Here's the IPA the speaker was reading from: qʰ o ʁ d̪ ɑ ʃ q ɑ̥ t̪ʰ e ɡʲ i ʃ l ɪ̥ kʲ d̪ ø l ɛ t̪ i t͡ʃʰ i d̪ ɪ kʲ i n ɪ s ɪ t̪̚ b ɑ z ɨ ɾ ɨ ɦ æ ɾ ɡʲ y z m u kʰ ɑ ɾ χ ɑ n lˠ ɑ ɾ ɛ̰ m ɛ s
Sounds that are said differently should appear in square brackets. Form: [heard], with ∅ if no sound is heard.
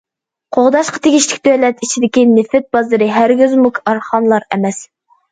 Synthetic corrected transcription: qʰ o ʁ d̪ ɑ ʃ q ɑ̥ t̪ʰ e ɡʲ i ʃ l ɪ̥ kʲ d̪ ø l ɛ t̪ i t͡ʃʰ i d̪ ɪ kʲ i n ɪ [f] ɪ t̪̚ b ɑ z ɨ ɾ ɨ ɦ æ ɾ ɡʲ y z m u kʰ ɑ ɾ χ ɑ n lˠ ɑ ɾ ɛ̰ m ɛ s